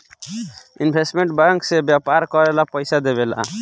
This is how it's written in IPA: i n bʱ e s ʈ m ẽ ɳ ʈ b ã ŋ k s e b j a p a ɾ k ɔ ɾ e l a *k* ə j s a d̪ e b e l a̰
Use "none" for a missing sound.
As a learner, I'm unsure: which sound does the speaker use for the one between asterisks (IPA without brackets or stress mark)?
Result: p